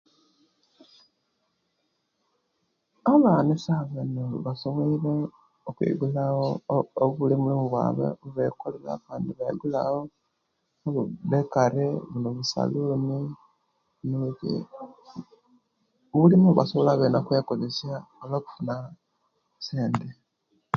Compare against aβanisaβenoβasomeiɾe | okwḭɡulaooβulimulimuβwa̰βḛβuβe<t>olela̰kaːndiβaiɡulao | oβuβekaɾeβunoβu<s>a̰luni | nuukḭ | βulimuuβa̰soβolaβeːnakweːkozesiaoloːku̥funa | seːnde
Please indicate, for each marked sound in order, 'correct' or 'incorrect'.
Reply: incorrect, correct

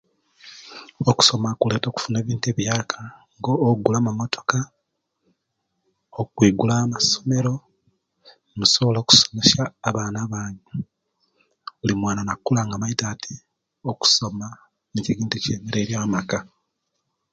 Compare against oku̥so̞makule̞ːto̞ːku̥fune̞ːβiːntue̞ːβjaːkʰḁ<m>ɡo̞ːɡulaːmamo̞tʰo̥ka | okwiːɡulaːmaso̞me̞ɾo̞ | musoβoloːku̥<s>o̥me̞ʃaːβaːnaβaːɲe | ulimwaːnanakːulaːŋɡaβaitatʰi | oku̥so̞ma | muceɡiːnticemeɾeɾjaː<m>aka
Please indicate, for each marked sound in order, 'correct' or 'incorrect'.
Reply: incorrect, correct, correct

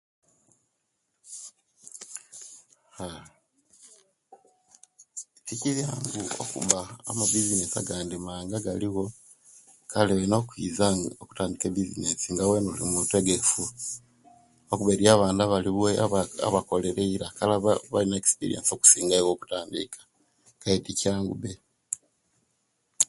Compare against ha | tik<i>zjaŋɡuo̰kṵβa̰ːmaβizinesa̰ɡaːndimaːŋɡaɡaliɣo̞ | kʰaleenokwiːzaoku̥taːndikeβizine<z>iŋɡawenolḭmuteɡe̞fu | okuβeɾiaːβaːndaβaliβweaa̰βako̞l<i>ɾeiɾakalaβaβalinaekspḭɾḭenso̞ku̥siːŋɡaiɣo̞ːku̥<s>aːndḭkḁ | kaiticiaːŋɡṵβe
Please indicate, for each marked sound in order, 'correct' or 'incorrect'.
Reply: correct, incorrect, incorrect, incorrect

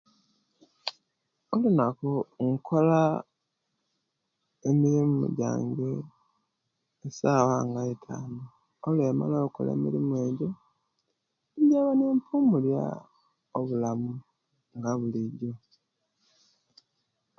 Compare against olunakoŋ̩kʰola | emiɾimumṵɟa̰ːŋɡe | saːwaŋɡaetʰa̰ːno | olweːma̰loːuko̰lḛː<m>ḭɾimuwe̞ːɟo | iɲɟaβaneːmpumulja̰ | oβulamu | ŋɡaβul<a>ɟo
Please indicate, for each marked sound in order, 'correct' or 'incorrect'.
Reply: correct, incorrect

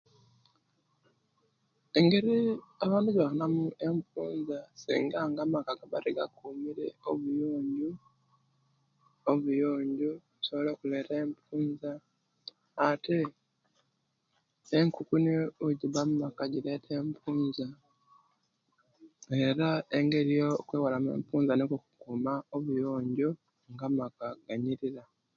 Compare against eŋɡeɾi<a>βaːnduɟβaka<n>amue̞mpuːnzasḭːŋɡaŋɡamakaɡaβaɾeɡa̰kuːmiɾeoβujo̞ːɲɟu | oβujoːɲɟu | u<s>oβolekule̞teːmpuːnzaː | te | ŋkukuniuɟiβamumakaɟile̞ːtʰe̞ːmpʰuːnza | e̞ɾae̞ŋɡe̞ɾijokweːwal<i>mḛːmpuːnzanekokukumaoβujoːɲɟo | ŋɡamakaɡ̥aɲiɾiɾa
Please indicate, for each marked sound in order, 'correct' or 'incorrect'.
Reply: correct, correct, correct, incorrect

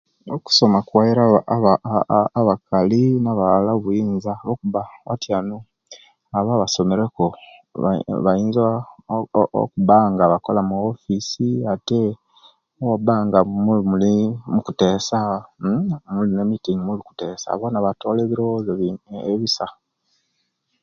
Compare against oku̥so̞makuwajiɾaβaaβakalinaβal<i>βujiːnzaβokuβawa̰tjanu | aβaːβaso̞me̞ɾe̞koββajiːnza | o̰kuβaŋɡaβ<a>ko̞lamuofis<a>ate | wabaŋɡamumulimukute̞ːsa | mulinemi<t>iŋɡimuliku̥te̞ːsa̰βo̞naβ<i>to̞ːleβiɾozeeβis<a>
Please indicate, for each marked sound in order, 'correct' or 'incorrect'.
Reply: incorrect, correct, incorrect, correct, incorrect, correct

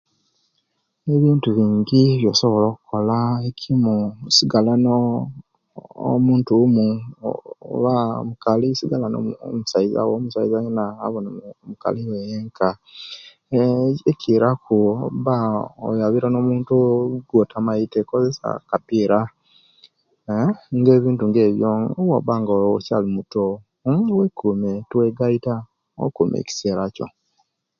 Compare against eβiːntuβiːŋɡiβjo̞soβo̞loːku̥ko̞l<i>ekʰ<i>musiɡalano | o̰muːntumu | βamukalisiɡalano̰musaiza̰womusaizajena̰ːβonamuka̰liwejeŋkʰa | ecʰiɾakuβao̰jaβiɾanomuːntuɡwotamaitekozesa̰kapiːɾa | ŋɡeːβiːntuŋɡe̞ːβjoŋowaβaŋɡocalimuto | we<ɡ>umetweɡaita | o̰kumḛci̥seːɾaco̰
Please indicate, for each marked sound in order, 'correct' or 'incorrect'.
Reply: incorrect, correct, incorrect

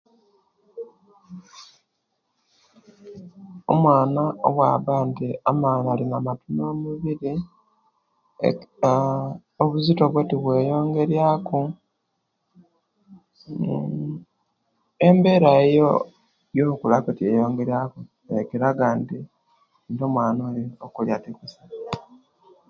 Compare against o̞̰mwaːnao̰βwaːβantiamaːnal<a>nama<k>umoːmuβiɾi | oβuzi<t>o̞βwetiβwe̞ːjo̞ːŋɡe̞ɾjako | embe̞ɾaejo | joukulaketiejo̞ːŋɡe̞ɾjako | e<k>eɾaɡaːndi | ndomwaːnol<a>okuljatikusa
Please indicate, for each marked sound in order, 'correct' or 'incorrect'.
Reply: incorrect, incorrect, correct, correct, incorrect

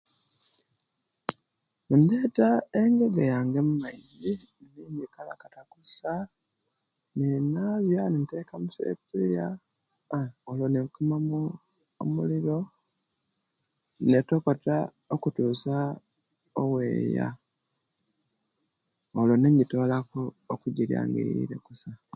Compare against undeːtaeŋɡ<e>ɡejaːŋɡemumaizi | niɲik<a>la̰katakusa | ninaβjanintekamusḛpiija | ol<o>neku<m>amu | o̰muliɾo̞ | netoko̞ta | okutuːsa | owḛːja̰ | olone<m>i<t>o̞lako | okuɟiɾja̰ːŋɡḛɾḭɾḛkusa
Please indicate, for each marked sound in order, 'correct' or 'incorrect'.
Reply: correct, correct, correct, correct, incorrect, correct

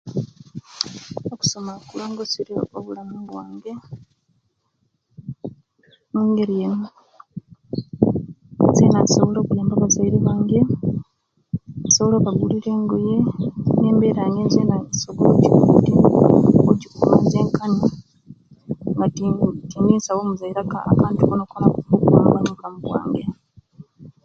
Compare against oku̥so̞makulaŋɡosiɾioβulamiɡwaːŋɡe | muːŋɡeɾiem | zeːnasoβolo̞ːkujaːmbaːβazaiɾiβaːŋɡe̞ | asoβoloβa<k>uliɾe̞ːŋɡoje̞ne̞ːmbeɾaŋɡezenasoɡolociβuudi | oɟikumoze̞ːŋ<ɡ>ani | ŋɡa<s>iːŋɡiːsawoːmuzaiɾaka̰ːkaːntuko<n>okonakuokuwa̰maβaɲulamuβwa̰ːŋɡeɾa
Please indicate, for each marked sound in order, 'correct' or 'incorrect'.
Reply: incorrect, incorrect, incorrect, correct

